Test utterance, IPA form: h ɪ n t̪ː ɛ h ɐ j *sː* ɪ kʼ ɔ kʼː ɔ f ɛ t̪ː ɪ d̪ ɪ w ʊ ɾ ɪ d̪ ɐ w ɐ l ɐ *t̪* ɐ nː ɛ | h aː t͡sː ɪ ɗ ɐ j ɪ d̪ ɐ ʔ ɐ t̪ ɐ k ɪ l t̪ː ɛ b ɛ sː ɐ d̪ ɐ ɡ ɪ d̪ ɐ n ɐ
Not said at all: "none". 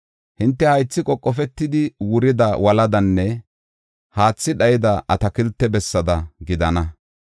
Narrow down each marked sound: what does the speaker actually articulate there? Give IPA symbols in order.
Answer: t͡sː, d̪

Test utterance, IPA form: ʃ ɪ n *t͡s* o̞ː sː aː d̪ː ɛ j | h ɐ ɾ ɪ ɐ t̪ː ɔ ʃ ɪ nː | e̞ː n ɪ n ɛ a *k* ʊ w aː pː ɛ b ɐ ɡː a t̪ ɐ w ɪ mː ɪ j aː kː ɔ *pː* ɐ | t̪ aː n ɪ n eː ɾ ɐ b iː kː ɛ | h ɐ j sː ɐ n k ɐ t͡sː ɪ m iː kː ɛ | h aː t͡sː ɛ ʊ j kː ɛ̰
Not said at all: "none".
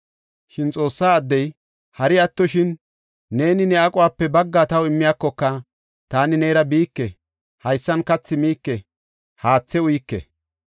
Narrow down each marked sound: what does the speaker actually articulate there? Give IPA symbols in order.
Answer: t͡sʼ, kʼ, kː

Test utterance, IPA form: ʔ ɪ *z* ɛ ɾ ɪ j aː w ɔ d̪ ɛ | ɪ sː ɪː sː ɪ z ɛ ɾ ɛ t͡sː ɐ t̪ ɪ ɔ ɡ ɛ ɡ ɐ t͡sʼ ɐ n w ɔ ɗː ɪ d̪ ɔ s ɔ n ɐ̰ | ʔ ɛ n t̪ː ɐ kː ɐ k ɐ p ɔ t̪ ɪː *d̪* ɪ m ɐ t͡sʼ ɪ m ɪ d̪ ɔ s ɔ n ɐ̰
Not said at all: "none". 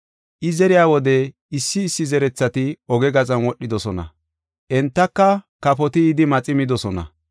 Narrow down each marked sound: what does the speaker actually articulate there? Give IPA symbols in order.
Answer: z, d̪

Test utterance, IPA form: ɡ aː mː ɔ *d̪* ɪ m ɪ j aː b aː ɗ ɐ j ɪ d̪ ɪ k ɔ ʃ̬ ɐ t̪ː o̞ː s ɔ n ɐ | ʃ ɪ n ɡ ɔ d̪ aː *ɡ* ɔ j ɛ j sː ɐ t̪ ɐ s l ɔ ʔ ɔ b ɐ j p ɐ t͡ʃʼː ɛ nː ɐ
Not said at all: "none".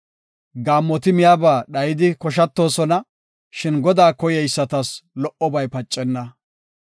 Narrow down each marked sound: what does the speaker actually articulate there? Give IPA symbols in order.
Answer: t̪, k

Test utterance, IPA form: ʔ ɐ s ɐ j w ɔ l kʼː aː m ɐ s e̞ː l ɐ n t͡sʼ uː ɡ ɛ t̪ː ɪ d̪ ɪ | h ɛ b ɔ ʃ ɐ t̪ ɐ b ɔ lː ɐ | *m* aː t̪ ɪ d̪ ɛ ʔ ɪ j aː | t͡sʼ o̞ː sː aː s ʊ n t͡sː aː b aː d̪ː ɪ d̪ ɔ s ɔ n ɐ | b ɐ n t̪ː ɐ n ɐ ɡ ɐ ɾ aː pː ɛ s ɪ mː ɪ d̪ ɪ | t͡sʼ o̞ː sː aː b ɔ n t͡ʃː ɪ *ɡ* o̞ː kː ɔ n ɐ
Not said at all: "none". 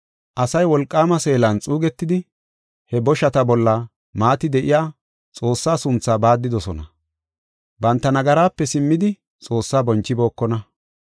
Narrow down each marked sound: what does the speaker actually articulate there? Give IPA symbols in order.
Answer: m, b

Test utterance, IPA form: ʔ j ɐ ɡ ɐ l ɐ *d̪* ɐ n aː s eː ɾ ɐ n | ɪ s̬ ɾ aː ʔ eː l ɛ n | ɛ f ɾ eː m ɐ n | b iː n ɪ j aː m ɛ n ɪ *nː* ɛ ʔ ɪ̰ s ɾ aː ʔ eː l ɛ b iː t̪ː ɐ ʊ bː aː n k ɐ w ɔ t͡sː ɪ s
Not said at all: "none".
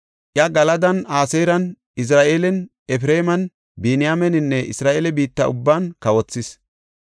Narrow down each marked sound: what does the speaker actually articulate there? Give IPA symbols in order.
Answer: d̪, nː

